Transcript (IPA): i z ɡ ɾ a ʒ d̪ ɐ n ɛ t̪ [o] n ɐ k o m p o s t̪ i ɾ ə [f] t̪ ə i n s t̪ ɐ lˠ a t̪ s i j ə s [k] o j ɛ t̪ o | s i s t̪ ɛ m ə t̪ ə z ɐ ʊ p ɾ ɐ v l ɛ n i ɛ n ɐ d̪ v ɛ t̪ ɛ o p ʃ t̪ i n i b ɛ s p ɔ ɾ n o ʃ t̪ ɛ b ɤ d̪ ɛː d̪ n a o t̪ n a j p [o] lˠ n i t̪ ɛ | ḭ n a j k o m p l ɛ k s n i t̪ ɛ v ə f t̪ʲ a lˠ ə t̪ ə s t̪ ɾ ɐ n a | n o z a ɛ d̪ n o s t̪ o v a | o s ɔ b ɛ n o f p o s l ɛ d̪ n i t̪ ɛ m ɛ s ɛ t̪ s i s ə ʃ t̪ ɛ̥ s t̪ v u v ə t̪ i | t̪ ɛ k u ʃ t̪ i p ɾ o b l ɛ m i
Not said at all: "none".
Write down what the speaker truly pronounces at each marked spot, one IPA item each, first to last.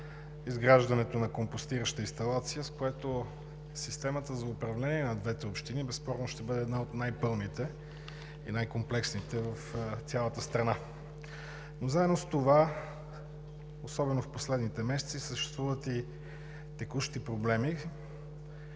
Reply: o, ʃ, k, ɤ

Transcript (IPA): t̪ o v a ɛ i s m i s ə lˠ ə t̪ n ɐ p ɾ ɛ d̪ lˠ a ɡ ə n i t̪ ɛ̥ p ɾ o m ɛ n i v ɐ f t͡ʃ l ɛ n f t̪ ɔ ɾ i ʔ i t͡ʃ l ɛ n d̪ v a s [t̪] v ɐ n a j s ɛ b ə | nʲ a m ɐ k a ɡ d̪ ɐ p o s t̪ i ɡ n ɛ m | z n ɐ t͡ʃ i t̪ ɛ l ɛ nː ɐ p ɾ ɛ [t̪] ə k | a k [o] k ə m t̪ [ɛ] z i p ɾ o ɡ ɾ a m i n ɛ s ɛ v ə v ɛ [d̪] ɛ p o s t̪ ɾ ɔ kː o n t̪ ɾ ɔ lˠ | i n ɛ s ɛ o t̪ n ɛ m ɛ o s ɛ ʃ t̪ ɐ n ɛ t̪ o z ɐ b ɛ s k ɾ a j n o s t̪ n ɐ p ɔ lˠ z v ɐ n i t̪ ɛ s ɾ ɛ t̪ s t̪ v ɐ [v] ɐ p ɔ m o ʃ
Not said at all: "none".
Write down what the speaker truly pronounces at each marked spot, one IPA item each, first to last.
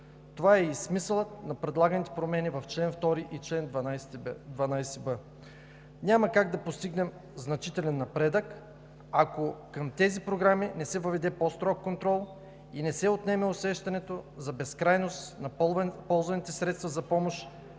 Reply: d̪, d̪, o, ɛ, d̪, z

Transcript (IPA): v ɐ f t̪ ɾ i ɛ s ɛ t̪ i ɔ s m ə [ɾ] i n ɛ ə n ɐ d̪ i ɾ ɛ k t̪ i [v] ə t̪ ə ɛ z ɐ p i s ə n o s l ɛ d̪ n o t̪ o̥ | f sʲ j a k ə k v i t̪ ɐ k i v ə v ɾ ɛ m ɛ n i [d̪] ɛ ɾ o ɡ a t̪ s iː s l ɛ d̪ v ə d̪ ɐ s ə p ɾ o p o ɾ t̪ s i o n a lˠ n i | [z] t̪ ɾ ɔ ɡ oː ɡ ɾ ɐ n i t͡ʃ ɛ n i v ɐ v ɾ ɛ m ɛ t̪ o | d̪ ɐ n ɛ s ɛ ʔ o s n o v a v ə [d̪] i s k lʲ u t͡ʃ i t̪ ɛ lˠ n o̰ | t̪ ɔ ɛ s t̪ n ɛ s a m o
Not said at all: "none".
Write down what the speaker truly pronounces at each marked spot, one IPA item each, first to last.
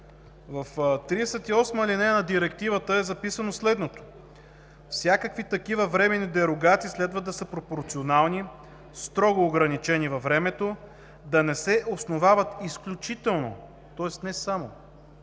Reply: l, v, d̪, s, t̪

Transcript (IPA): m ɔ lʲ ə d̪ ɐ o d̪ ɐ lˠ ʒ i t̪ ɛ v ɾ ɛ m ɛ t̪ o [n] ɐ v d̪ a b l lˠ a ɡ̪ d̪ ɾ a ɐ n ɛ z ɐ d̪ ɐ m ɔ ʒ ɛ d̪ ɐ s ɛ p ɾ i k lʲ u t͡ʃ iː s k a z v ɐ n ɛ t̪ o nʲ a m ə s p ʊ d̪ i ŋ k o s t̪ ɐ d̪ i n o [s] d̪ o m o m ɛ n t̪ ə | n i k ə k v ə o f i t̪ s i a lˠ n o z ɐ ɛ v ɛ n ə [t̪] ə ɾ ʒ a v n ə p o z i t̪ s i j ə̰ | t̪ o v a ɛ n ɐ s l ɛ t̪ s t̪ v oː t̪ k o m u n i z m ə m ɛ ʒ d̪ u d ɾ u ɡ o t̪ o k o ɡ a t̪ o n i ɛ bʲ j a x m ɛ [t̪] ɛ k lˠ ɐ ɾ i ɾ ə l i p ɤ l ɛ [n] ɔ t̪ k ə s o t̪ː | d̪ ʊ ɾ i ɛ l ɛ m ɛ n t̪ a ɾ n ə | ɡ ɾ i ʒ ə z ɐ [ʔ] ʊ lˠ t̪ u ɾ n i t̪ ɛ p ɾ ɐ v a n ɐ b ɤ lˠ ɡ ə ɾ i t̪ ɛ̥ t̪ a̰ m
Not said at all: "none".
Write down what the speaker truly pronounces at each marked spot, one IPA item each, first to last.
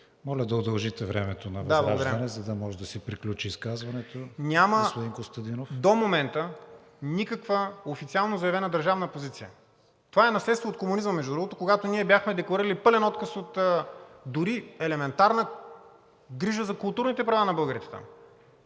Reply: n, f, d̪, d̪, n, k

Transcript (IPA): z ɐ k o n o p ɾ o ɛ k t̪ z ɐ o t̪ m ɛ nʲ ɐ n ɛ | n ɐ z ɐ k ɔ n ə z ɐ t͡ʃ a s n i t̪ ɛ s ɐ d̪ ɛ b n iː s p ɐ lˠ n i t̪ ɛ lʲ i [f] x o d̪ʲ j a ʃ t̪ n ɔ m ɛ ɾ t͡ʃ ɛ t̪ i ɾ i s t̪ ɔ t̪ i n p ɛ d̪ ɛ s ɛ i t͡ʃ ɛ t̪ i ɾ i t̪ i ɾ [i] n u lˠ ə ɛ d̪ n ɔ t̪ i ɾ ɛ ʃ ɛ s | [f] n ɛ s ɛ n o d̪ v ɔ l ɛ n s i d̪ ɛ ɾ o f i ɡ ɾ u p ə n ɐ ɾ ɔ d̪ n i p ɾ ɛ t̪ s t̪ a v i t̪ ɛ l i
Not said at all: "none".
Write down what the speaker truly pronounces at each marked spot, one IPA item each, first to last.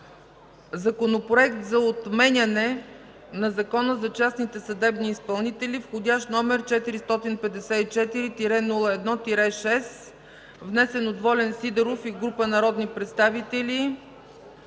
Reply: f, ɛ, v

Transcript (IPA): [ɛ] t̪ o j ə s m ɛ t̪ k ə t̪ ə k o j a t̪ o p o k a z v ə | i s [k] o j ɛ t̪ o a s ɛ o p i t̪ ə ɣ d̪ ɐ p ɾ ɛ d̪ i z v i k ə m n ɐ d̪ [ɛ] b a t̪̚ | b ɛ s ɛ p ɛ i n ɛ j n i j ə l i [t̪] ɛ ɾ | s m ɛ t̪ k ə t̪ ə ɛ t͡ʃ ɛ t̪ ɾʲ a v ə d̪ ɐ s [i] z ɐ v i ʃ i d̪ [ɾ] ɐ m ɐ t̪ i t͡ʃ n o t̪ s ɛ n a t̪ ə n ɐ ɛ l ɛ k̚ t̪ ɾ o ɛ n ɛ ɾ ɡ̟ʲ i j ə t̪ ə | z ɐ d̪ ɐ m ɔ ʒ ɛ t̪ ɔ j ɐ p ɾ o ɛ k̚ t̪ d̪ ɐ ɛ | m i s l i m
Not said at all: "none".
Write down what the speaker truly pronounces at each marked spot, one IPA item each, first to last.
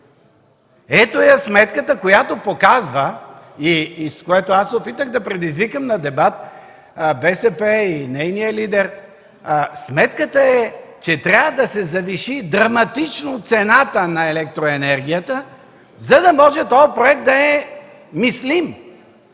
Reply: ɛ, k, ɛ, d̪, ɛ, ɾ

